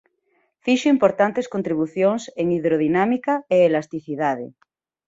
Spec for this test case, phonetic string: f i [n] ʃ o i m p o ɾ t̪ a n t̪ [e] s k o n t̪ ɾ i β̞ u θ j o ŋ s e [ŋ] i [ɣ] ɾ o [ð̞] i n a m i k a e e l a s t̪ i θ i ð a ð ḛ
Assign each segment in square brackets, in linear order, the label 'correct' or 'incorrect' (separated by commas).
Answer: incorrect, correct, correct, incorrect, correct